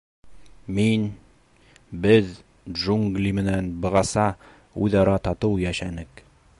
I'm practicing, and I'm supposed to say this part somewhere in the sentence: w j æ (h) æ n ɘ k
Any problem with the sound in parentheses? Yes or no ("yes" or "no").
yes